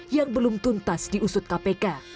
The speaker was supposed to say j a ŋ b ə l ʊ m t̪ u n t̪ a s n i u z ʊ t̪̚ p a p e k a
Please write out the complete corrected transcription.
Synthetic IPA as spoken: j a ŋ b ə l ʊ m t̪ u n t̪ a s d i u s ʊ t̪̚ k a p e k a

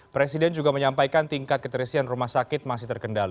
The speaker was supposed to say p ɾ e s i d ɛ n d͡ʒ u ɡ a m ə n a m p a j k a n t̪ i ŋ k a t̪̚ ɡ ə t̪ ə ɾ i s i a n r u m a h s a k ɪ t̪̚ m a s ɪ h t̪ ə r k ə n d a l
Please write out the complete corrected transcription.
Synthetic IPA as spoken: p ɾ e s i d ɛ n d͡ʒ u ɡ a m ə ɲ a m p a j k a n t̪ i ŋ k a t̪̚ k ə t̪ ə ɾ i s i a n r u m a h s a k ɪ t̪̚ m a s ɪ h t̪ ə r k ə n d a l

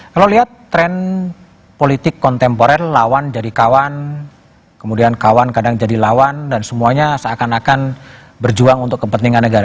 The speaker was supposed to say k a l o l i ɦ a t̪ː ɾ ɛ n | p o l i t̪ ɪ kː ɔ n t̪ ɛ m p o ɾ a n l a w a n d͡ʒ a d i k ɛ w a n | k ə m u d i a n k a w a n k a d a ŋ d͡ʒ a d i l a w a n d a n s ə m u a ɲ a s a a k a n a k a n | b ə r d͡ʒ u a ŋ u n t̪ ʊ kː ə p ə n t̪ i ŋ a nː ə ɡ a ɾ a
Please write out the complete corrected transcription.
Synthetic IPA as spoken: k a l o l i ɦ a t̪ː ɾ ɛ n | p o l i t̪ ɪ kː ɔ n t̪ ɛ m p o ɾ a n l a w a n d͡ʒ a d i k a w a n | k ə m u d i a n k a w a n k a d a ŋ d͡ʒ a d i l a w a n d a n s ə m u a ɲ a s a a k a n a k a n | b ə r d͡ʒ u a ŋ u n t̪ ʊ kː ə p ə n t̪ i ŋ a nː ə ɡ a ɾ a

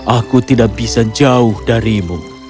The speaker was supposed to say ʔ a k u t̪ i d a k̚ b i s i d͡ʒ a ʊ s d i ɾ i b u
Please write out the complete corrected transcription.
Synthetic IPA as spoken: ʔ a k u t̪ i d a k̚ b i s a d͡ʒ a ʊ h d a ɾ i m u

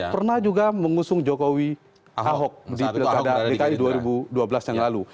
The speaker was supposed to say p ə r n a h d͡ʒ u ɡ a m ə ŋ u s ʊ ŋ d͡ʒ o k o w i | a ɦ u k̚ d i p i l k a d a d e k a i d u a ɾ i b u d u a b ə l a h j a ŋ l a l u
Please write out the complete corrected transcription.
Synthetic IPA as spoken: p ə r n a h d͡ʒ u ɡ a m ə ŋ u s ʊ ŋ d͡ʒ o k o w i | a ɦ ɔ k̚ d i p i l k a d a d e k a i d u a ɾ i b u d u a b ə l a s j a ŋ l a l u

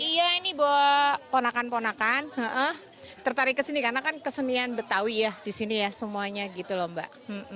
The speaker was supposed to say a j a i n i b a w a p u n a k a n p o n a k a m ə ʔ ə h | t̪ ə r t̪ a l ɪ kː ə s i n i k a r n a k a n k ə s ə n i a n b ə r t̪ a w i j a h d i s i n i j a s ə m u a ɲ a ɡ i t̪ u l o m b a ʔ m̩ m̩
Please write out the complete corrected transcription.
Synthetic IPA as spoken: i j a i n i b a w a p o n a k a n p o n a k a n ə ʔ ə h | t̪ ə r t̪ a ɾ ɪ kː ə s i n i k a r n a k a n k ə s ə n i a n b ə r t̪ a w i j a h d i s i n i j a s ə m u a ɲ a ɡ i t̪ u l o m b a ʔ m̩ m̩

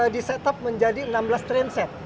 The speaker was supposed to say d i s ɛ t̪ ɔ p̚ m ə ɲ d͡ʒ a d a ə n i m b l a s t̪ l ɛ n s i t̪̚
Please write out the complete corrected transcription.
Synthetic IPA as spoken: d i s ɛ t̪ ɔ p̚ m ə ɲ d͡ʒ a d i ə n a m b l a s t̪ ɾ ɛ n s ɛ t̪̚

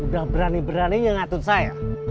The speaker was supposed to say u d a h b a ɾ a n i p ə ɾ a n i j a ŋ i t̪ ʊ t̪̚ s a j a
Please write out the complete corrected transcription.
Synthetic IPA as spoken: u d a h b ə ɾ a n i b ə ɾ a n i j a ŋ a t̪ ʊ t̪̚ s a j a

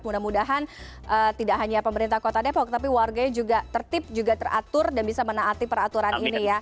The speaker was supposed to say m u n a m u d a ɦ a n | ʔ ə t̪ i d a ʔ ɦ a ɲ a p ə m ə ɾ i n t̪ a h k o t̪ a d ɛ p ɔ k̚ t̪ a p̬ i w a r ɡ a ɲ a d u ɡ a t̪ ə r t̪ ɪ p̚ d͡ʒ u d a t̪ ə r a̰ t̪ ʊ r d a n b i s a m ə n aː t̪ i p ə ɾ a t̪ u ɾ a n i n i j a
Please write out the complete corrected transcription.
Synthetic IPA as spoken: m u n a m u d a ɦ a n | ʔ ə t̪ i d a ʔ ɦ a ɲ a p ə m ə ɾ i n t̪ a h k o t̪ a d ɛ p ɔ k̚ t̪ a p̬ i w a r ɡ a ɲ a d͡ʒ u ɡ a t̪ ə r t̪ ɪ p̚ d͡ʒ u ɡ a t̪ ə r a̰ t̪ ʊ r d a n b i s a m ə n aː t̪ i p ə ɾ a t̪ u ɾ a n i n i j a

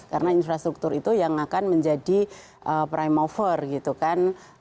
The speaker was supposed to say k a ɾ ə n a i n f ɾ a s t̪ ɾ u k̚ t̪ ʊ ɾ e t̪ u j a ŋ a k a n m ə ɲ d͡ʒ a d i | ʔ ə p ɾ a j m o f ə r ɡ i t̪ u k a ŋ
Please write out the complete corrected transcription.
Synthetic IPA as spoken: k a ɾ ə n a i n f ɾ a s t̪ ɾ u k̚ t̪ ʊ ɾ i t̪ u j a ŋ a k a n m ə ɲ d͡ʒ a d i | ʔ ə p ɾ a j m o f ə r ɡ i t̪ u k a n

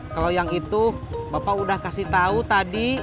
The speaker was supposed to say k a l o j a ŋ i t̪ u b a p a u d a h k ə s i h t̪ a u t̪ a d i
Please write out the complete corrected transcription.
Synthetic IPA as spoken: k a l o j a ŋ i t̪ u b a p a u d a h k a s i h t̪ a u t̪ a d i

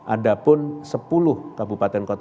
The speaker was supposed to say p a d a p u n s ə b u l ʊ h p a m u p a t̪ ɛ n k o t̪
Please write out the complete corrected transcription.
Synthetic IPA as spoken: ʔ a d a p ʊ n s ə p u l ʊ h k a b u p a t̪ ɛ n k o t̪

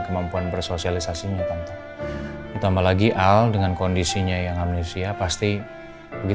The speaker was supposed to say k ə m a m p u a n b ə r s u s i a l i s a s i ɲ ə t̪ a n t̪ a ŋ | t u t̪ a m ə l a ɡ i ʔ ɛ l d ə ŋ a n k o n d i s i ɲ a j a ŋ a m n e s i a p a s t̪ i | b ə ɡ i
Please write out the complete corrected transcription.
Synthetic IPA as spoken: k ə m a m p u a n b ə r s o s i a l i s a s i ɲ a t̪ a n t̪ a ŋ | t u t̪ a m a l a ɡ i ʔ a l d ə ŋ a n k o n d i s i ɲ a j a ŋ a m n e s i a p a s t̪ i | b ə ɡ i

